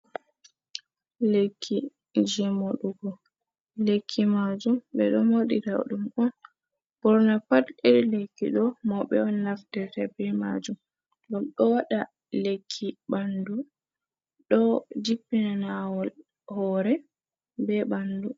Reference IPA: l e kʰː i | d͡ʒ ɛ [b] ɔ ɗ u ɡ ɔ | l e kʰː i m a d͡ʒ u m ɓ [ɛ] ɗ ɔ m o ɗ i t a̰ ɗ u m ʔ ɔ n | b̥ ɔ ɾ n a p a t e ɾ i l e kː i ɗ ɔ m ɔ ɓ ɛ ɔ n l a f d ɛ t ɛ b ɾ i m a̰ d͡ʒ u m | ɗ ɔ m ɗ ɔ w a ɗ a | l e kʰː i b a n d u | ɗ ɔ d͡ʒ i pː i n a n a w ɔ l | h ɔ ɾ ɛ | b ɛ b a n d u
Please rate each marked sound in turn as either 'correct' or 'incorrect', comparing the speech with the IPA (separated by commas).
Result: incorrect, correct